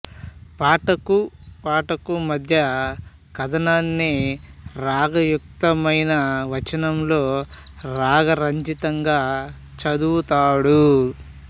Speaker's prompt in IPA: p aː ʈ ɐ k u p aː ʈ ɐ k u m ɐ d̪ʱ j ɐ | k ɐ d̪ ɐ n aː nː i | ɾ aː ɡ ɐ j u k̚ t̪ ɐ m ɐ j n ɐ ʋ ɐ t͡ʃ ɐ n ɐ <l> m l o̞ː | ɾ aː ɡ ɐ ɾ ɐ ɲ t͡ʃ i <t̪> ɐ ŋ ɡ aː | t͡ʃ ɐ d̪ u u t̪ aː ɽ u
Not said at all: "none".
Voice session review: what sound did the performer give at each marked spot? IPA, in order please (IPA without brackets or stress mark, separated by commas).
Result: none, t̪